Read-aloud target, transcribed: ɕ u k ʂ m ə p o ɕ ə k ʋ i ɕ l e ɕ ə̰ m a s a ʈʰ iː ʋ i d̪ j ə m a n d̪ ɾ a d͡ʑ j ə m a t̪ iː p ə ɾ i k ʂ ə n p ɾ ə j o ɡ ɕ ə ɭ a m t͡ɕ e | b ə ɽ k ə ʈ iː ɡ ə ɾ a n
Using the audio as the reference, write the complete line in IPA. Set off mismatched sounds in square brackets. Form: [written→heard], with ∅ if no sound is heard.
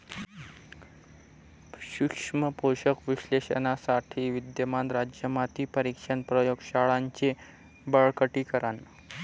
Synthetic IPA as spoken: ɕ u k ʂ m ə p o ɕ ə k ʋ i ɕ l e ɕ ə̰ [m→n] a s a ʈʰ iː ʋ i d̪ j ə m a n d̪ ɾ a d͡ʑ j ə m a t̪ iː p ə ɾ i k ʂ ə n p ɾ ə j o ɡ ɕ [ə→a] ɭ a [m→ɲ] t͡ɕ e | b ə [ɽ→ɭ] k ə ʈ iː [ɡ→k] ə ɾ a n